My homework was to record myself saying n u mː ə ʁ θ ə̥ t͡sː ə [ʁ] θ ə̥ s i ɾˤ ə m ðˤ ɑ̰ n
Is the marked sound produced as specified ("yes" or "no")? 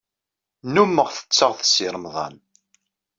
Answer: yes